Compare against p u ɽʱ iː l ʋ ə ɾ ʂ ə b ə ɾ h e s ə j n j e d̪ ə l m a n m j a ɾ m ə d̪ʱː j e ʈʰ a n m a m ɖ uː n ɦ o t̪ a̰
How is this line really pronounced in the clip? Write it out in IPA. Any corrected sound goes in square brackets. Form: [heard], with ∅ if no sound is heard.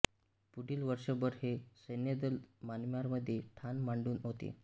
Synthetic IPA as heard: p u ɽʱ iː l ʋ ə ɾ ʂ ə b ə ɾ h e s ə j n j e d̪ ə l m a n m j a ɾ m ə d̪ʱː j e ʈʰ a n m a [ɳ] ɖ uː n ɦ o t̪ [ḛ]